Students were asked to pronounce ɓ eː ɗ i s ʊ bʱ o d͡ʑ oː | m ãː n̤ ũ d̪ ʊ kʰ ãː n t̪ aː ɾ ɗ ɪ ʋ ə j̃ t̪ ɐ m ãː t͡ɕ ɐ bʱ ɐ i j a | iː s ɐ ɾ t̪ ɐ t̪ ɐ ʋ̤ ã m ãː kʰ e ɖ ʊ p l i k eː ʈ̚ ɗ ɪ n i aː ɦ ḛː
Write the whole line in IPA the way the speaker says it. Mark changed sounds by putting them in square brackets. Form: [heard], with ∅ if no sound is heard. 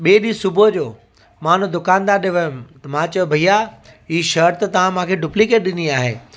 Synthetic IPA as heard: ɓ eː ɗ i s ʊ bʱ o d͡ʑ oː | m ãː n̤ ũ d̪ ʊ [k] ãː n [d̪] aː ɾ ɗ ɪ ʋ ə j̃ t̪ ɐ m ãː t͡ɕ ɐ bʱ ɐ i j a | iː [ʃ] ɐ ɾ t̪ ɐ t̪ ɐ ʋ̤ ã m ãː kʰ e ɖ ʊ p l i k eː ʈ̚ ɗ ɪ n i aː ɦ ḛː